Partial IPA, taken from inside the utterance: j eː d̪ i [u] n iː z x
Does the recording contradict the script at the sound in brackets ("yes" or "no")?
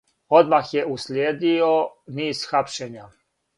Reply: yes